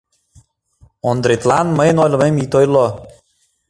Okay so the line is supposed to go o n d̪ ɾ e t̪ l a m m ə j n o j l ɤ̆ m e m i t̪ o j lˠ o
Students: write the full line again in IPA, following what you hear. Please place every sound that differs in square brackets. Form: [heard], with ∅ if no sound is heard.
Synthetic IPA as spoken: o n d̪ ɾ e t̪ l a [n] m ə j n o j l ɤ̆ m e m i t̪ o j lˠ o